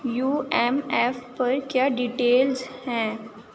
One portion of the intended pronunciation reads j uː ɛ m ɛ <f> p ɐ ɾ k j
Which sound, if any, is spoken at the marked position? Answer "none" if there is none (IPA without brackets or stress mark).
f